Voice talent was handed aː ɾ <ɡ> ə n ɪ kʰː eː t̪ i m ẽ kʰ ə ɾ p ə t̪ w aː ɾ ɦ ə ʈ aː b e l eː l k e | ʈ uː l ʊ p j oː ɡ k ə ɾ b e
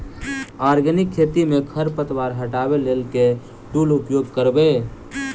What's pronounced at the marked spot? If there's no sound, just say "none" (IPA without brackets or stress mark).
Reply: ɡ